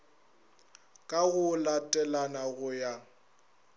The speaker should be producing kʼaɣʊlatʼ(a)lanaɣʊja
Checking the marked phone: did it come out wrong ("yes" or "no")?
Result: yes